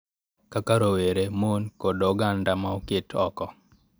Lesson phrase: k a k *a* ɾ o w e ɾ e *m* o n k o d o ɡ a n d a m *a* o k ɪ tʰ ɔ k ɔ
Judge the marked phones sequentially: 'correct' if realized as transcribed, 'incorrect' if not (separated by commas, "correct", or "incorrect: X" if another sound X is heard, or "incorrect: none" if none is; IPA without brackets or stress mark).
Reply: correct, correct, correct